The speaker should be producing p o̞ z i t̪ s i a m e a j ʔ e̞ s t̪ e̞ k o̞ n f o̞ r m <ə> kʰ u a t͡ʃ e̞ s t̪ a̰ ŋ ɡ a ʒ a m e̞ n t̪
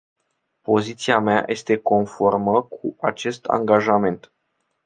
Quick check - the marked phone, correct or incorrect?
correct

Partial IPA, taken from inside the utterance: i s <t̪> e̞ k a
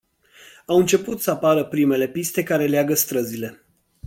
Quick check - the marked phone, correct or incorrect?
correct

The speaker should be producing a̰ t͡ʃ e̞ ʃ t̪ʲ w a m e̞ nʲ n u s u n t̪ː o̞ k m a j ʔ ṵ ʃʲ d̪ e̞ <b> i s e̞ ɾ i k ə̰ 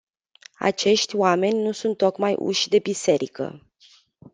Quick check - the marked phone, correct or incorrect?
correct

